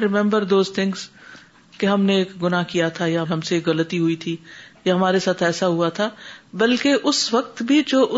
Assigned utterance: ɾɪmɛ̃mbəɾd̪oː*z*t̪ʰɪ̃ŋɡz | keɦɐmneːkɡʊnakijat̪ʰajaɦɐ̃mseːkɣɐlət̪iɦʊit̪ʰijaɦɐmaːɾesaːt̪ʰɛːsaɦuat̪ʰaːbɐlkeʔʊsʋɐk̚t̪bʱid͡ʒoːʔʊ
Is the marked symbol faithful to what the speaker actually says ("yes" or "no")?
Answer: yes